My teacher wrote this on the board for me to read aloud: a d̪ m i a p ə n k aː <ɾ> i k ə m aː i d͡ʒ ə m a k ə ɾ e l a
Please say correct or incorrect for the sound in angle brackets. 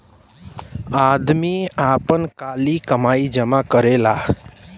incorrect